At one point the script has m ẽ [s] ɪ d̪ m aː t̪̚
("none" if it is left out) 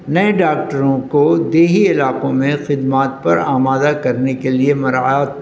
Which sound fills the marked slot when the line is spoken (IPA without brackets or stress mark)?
x